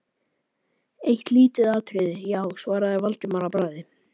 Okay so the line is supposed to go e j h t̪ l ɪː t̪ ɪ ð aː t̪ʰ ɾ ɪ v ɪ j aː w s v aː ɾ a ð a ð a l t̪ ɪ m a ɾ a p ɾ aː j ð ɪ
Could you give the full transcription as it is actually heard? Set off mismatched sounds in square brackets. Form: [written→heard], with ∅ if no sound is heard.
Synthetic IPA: e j h t̪ l [ɪː→iː] t̪ ɪ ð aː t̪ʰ ɾ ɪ [v→ð] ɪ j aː w s v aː ɾ a ð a [ð→v] a l t̪ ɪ m a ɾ a p ɾ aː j ð ɪ